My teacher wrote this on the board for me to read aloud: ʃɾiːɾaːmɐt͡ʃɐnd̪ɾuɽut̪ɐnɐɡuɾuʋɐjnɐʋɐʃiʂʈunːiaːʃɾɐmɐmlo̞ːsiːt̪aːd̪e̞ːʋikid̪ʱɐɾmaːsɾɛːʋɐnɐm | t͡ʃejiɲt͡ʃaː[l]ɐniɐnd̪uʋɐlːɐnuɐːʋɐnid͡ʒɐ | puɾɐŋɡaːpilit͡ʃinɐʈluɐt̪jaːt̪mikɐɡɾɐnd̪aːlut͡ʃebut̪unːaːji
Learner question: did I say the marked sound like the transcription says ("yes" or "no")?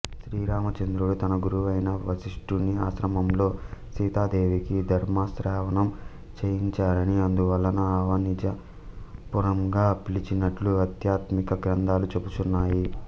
no